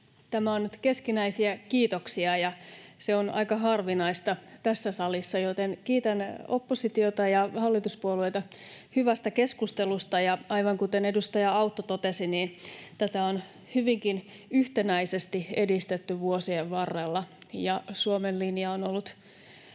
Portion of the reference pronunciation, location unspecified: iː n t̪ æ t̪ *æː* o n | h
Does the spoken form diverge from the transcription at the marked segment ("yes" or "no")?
yes